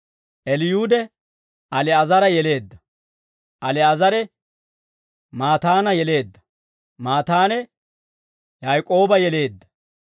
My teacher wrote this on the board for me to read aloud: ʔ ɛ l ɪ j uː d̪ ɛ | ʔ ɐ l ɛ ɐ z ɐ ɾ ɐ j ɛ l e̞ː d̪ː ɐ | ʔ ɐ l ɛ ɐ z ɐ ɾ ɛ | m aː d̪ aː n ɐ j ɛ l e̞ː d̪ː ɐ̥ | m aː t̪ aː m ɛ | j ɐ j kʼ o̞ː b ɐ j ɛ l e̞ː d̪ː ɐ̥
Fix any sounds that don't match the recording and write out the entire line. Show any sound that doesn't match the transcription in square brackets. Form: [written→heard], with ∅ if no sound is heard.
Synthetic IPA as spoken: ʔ ɛ l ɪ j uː d̪ ɛ | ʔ ɐ l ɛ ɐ z ɐ ɾ ɐ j ɛ l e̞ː d̪ː ɐ | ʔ ɐ l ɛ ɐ z ɐ ɾ ɛ | m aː [d̪→t̪] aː n ɐ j ɛ l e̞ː d̪ː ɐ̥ | m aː t̪ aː [m→n] ɛ | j ɐ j kʼ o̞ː b ɐ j ɛ l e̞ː d̪ː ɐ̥